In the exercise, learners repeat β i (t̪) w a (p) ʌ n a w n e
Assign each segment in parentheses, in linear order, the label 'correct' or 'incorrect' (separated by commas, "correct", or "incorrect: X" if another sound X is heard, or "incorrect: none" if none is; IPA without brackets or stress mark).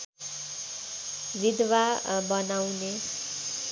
incorrect: d̪, incorrect: b